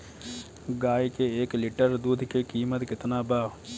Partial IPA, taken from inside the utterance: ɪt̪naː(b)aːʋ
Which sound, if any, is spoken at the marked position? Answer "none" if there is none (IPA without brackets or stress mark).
b